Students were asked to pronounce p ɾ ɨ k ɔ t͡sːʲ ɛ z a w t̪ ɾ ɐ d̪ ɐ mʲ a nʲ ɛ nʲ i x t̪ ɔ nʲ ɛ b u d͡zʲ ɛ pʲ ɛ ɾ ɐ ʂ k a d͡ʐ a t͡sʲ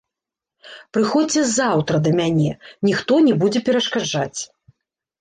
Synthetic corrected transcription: p ɾ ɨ x ɔ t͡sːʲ ɛ z a w t̪ ɾ ɐ d̪ ɐ mʲ a nʲ ɛ nʲ i x t̪ ɔ nʲ ɛ b u d͡zʲ ɛ pʲ ɛ ɾ ɐ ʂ k a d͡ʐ a t͡sʲ